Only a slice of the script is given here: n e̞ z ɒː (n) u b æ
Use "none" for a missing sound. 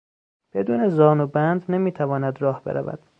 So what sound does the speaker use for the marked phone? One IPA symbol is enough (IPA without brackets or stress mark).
n